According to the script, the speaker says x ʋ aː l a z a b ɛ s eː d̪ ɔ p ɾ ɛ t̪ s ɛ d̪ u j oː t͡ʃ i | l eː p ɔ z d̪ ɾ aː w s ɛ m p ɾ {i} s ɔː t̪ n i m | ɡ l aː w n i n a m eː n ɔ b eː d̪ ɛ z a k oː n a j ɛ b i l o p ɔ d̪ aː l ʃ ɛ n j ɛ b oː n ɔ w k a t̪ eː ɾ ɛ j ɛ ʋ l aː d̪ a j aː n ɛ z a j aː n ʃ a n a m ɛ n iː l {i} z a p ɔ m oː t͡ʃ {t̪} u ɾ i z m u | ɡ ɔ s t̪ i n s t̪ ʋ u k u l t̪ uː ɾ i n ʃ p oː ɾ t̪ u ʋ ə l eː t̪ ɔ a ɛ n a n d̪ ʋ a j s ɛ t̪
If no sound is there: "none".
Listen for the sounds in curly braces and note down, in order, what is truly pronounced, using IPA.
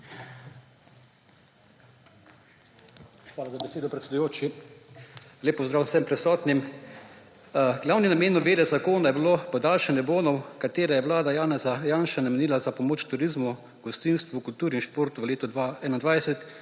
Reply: ɛ, a, t̪

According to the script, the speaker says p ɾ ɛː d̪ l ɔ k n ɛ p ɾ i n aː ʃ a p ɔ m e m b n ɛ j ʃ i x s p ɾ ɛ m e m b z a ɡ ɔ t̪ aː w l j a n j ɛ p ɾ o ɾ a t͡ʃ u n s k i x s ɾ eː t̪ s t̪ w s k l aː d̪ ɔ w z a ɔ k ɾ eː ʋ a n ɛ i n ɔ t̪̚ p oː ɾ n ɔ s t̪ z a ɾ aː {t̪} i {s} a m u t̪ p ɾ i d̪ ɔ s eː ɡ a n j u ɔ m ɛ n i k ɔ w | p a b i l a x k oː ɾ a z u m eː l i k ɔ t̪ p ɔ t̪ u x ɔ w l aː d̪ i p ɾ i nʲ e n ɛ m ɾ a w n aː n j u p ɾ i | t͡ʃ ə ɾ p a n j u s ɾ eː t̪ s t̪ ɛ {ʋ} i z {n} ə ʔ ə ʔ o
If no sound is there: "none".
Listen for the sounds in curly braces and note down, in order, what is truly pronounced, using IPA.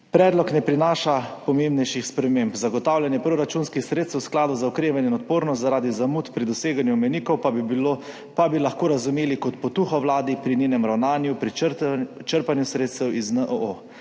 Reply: d̪, z, w, n

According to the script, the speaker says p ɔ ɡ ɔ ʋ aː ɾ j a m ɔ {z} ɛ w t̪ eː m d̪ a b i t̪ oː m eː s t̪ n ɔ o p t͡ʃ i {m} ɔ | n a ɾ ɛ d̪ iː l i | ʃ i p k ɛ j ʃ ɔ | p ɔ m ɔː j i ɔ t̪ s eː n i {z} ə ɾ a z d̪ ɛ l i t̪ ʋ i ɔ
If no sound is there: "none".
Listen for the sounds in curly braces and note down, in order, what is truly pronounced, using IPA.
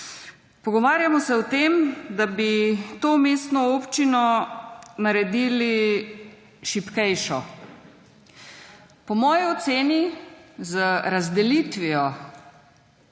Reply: s, n, z

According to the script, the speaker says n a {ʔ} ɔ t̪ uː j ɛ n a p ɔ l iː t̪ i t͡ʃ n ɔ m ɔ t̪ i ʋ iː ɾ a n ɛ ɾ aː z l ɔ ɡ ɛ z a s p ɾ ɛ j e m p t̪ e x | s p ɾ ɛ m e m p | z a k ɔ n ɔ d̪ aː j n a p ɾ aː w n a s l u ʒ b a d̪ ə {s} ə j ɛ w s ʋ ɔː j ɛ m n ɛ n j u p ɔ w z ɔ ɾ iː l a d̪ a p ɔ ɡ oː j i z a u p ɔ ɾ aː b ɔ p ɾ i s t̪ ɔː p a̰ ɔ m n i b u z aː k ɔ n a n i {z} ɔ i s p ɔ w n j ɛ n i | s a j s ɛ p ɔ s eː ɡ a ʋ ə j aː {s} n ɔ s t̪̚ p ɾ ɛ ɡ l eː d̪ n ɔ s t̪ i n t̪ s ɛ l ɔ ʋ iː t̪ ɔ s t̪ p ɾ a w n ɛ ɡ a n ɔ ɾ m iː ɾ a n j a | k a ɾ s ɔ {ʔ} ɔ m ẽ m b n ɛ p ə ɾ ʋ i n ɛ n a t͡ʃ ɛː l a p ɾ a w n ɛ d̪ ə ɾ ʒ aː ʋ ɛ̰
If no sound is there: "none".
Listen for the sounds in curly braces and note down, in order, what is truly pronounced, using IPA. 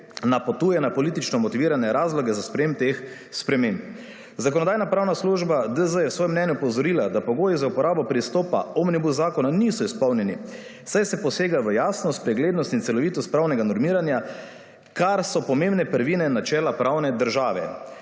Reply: p, z, s, s, p

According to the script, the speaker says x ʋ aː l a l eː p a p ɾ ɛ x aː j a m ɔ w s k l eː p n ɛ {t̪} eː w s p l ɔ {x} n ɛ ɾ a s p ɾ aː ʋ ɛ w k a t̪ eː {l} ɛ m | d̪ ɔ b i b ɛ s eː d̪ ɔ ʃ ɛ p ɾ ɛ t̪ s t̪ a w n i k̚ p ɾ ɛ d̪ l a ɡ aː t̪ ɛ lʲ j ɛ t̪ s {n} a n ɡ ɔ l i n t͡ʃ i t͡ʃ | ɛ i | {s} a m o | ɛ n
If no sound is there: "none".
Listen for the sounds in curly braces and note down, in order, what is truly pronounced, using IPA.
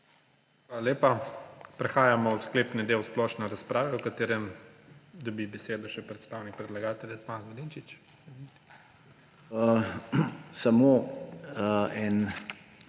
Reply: d̪, ʃ, ɾ, m, s

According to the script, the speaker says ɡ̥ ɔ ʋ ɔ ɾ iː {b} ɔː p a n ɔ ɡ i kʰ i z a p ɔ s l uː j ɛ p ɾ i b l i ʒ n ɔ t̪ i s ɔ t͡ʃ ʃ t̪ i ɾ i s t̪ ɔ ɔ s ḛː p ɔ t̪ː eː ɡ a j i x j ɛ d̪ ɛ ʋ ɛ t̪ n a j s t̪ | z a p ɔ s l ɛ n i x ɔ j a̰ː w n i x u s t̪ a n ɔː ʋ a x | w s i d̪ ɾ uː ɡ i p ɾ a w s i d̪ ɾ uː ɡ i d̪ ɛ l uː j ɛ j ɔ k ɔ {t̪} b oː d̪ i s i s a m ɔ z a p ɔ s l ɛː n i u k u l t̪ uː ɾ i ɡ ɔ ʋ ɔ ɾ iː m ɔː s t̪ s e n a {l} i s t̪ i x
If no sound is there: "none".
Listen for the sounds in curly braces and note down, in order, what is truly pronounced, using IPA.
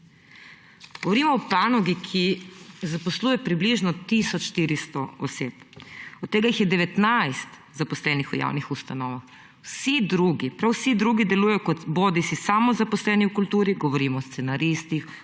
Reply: m, t̪, ɾ

